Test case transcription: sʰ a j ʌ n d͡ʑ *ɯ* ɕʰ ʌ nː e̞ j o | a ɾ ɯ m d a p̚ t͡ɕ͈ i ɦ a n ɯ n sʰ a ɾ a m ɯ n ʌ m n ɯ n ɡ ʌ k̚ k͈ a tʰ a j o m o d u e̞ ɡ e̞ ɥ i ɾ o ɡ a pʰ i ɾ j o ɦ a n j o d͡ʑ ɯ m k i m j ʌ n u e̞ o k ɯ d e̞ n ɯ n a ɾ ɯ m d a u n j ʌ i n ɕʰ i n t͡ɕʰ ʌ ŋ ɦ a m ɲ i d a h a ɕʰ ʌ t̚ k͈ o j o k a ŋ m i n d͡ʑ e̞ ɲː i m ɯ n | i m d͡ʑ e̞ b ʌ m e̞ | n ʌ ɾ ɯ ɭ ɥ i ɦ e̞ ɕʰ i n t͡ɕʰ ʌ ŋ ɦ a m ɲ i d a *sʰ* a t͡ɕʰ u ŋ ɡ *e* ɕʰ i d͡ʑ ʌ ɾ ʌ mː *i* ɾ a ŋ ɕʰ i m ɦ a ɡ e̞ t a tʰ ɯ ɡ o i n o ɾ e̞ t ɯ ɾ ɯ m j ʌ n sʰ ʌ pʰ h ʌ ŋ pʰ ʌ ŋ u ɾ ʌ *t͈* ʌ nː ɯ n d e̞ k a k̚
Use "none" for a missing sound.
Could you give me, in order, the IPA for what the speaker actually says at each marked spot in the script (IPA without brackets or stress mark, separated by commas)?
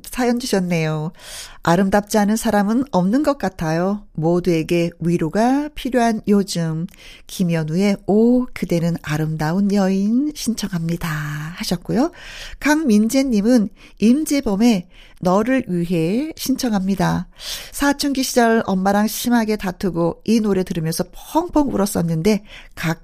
u, sʰ, i, a, s͈